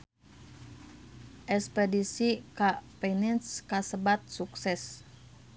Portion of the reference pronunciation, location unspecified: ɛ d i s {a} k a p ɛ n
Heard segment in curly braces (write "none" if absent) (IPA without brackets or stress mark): i